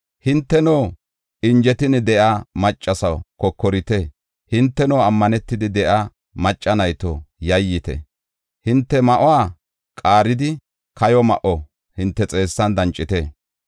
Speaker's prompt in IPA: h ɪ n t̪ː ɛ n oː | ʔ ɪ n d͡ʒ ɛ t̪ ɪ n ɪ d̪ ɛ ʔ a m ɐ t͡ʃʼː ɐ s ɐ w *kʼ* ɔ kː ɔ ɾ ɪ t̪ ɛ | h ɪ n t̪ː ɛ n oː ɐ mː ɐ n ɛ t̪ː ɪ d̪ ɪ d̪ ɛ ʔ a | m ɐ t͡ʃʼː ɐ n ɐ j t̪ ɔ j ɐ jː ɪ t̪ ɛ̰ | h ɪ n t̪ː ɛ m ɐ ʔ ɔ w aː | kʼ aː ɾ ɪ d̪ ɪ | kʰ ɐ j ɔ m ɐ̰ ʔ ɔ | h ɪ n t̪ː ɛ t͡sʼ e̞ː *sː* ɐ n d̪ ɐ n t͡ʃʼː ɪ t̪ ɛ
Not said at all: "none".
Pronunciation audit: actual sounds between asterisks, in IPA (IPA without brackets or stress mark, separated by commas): k, sː